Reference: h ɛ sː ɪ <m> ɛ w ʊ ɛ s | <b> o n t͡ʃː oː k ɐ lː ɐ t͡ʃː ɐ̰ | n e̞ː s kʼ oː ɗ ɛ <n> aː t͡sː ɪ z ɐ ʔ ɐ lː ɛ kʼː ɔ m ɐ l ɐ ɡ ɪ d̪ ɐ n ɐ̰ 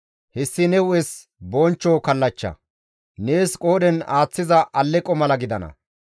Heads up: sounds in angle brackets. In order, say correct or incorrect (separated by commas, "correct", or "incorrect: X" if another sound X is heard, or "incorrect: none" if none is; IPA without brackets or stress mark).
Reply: incorrect: n, correct, correct